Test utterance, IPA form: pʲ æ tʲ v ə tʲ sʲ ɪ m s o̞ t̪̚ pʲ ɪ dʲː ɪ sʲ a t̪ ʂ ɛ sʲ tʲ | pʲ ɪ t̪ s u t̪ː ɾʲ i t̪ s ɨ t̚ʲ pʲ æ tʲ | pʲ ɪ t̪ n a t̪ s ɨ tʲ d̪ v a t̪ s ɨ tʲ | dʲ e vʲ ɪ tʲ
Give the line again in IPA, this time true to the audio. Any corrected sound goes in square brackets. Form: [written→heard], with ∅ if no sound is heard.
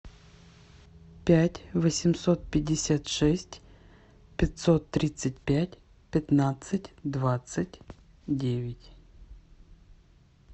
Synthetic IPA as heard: pʲ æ tʲ v ə [tʲ→∅] sʲ ɪ m s o̞ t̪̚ pʲ ɪ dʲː ɪ sʲ a t̪ ʂ ɛ sʲ tʲ | pʲ ɪ t̪ s [u→o] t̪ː ɾʲ i t̪ s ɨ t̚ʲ pʲ æ tʲ | pʲ ɪ t̪ n a t̪ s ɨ tʲ d̪ v a t̪ s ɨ tʲ | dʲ e vʲ ɪ tʲ